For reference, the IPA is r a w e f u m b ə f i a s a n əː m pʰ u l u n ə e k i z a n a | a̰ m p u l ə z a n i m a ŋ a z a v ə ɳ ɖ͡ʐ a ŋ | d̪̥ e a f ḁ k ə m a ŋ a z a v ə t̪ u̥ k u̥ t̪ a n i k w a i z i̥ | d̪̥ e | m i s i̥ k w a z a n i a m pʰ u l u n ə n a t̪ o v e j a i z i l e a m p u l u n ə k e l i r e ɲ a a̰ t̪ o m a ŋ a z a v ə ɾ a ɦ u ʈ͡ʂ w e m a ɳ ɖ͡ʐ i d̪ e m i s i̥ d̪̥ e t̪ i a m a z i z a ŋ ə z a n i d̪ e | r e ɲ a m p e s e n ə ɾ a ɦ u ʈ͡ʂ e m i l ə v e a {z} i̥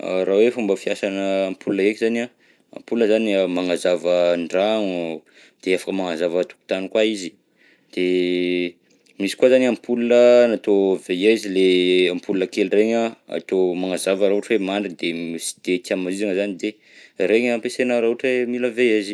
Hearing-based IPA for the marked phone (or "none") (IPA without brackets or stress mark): z